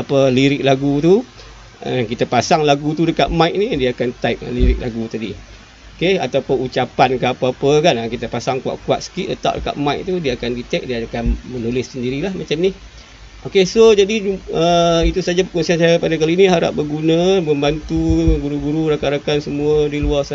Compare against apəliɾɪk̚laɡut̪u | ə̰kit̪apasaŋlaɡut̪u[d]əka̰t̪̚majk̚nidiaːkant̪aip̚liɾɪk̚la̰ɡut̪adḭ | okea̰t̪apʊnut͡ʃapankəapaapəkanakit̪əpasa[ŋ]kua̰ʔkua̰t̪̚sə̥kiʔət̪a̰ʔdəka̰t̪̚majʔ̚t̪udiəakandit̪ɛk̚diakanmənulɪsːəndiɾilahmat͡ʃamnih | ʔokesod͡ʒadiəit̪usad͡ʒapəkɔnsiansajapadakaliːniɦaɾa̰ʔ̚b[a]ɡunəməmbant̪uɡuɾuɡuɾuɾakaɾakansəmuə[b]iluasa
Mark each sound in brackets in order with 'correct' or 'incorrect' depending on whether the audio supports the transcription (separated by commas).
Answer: correct, correct, incorrect, incorrect